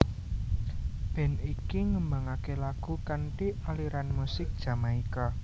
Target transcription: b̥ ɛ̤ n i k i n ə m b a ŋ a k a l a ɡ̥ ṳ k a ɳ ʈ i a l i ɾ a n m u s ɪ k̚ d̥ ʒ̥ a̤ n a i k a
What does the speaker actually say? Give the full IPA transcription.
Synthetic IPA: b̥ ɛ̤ n i k i ŋ ə m b a ŋ a k e l a ɡ̥ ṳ k a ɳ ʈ i a l i ɾ a n m u s ɪ k̚ d̥ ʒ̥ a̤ m a i k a